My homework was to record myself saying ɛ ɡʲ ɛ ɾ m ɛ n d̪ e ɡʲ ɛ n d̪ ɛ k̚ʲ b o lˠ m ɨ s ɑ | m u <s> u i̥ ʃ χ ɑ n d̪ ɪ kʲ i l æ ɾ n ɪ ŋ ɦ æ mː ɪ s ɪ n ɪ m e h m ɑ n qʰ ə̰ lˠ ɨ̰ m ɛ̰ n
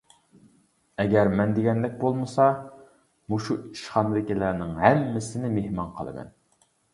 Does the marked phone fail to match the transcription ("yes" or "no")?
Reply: yes